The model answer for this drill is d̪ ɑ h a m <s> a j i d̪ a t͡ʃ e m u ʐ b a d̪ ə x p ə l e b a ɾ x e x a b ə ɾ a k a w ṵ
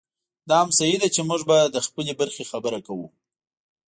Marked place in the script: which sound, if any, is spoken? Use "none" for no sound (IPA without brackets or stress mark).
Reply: s